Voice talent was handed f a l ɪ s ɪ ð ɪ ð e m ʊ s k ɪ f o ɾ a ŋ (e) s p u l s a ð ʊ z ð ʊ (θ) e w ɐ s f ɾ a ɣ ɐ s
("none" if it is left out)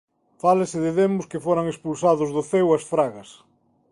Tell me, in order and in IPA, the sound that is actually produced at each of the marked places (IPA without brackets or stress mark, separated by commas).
e, θ